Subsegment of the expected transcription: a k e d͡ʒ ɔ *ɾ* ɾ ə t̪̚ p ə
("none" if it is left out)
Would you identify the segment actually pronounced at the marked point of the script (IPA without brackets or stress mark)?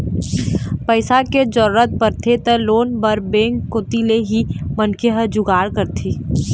ɾ